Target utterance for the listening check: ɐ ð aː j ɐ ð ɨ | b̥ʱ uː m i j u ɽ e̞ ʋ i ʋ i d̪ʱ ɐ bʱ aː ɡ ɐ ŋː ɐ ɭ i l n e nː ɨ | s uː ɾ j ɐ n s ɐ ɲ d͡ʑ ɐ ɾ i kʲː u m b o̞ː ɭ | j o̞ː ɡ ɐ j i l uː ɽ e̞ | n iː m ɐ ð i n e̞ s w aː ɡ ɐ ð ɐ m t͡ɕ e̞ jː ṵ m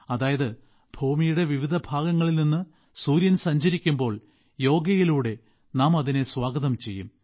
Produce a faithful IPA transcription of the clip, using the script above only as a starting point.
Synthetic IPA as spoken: ɐ ð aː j ɐ ð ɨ | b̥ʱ uː m i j u ɽ e̞ ʋ i ʋ i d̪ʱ ɐ bʱ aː ɡ ɐ ŋː ɐ ɭ i l n i nː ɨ | s uː ɾ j ɐ n s ɐ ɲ d͡ʑ ɐ ɾ i kʲː u m b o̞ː ɭ | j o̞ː ɡ ɐ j i l uː ɽ e̞ | n aː m ɐ ð i n e̞ s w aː ɡ ɐ ð ɐ m t͡ɕ e̞ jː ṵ m